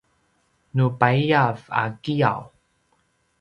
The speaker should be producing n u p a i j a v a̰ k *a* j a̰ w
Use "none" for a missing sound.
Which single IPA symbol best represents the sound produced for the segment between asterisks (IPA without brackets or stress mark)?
i